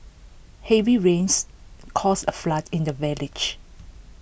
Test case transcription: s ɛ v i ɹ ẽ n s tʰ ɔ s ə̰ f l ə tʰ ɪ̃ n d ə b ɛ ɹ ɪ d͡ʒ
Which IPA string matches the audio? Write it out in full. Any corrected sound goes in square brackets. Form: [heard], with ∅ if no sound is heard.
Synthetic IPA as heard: [h] ɛ v i ɹ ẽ n s [kʰ] ɔ s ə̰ f l [a] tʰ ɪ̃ n d ə [v] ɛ [l] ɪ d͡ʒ